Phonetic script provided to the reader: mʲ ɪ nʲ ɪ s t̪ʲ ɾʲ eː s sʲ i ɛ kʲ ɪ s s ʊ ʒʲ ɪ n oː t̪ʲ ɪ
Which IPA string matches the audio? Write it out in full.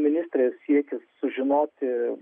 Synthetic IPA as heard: mʲ ɪ nʲ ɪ s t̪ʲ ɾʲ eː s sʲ i ɛ kʲ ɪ s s ʊ ʒʲ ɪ n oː t̪ʲ ɪ